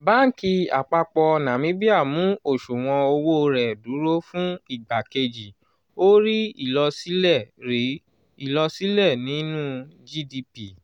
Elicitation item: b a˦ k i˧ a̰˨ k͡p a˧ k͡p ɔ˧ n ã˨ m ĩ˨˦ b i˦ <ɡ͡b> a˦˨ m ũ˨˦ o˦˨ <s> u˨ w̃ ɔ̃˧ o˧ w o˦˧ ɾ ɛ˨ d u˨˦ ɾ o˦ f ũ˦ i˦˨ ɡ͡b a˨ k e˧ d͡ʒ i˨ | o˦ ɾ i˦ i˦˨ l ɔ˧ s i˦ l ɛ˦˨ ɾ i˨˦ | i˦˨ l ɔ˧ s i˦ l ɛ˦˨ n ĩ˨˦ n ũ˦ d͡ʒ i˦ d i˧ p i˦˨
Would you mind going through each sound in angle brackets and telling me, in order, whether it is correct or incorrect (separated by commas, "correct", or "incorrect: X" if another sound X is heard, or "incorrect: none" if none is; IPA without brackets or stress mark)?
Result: incorrect: none, incorrect: ʃ